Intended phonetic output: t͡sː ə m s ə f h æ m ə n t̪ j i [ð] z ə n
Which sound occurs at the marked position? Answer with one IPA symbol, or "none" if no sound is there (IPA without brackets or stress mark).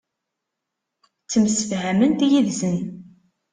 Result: ð